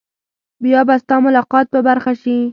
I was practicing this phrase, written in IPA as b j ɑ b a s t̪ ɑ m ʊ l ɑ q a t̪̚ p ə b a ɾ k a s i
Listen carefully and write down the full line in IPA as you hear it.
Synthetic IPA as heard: b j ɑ b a s t̪ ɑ m ʊ l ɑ q ɑ t̪̚ p ə b a ɾ x a ʃ i